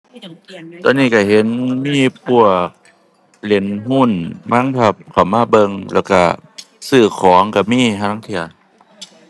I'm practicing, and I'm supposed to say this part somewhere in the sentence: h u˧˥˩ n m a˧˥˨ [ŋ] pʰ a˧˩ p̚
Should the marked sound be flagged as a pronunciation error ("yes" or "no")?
no